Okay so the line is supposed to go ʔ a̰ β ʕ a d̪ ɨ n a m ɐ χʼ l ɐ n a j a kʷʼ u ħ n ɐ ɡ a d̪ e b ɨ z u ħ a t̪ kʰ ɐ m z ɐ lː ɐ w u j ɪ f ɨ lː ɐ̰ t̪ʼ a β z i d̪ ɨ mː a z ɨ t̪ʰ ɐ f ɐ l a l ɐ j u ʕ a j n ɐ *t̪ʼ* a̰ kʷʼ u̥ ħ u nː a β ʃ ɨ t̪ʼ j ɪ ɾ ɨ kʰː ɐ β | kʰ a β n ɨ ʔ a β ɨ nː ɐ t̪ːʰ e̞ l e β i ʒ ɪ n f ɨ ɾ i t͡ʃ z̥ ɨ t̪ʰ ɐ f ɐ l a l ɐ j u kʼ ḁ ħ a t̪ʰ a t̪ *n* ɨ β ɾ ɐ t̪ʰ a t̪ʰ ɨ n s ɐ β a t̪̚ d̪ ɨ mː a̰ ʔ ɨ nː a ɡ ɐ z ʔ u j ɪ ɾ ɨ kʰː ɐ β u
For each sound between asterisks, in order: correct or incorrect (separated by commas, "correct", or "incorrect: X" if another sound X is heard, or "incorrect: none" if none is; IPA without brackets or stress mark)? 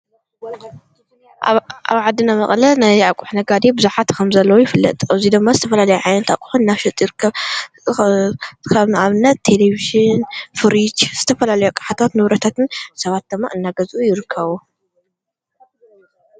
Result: incorrect: t̪, correct